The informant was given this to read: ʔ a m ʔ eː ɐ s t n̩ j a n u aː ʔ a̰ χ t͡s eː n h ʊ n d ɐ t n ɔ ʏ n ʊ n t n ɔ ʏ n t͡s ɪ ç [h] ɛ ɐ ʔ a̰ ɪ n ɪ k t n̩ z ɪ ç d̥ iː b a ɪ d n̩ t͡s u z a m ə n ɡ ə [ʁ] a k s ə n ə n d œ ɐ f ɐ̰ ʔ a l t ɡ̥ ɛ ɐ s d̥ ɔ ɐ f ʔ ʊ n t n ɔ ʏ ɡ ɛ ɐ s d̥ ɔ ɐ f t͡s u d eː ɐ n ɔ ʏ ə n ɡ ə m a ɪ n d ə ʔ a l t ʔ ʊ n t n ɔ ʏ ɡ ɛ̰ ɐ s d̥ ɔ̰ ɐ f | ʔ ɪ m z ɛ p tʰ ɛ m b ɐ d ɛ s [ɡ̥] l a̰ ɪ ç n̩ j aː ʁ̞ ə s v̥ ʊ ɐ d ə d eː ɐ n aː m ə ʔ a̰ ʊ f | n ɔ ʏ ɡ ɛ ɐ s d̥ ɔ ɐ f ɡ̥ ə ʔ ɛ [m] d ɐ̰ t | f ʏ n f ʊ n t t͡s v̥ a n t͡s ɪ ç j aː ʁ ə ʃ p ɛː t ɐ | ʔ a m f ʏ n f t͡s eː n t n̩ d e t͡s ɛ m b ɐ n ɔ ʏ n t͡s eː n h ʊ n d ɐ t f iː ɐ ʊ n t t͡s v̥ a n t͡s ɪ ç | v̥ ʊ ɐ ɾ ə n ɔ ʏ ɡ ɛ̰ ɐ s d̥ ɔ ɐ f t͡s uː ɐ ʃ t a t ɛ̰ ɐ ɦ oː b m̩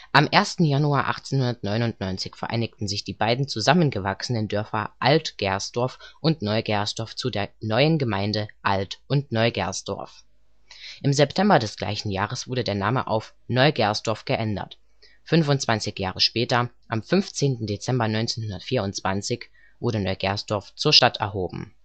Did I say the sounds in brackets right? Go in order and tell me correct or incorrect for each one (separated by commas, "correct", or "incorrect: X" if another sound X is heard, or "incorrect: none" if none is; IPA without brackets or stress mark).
incorrect: f, incorrect: v, correct, incorrect: n